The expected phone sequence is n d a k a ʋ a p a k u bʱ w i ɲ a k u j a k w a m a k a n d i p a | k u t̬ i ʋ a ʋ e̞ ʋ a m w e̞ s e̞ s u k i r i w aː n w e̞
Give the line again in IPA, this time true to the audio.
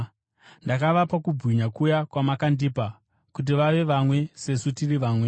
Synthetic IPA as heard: n d a k a ʋ a p a k u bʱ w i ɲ a k u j a k w a m a k a n d i p a | k u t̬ i ʋ a ʋ e̞ ʋ a m w e̞ s e̞ s u t i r i ʋ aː m w e̞